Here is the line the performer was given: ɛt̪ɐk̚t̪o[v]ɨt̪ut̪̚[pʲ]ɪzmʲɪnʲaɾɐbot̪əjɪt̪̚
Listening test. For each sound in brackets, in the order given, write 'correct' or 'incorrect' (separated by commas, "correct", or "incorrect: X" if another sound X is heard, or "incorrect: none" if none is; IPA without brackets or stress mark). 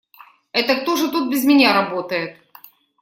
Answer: incorrect: ʐ, incorrect: bʲ